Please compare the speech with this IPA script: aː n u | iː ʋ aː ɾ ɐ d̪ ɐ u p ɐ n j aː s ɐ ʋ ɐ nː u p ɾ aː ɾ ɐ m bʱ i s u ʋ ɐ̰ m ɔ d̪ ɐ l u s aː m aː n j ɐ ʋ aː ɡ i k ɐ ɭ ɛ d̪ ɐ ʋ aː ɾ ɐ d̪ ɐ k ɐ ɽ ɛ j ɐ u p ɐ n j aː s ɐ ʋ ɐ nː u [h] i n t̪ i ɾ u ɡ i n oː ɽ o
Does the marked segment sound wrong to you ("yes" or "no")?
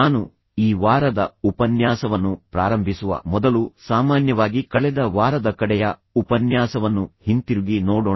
no